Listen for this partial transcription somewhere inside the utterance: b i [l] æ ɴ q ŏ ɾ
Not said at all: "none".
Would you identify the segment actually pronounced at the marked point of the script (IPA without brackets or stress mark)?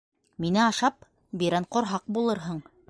ɾ